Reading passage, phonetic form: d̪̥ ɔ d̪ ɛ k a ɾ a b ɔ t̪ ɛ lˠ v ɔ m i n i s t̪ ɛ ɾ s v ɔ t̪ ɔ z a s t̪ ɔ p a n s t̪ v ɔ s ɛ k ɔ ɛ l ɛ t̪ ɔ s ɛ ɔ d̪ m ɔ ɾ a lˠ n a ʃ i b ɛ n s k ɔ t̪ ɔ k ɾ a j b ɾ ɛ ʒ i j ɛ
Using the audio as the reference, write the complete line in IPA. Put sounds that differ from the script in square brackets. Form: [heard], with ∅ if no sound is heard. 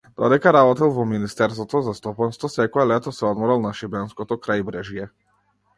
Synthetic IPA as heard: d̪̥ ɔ d̪ ɛ k a ɾ a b ɔ t̪ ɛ lˠ v ɔ m i n i s t̪ ɛ ɾ s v ɔ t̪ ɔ z a s t̪ ɔ p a n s t̪ v ɔ s ɛ k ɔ ɛ l ɛ t̪ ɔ s ɛ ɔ d̪ m ɔ ɾ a lˠ n a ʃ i b ɛ n s k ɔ t̪ ɔ k ɾ a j b ɾ ɛ ʒ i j ɛ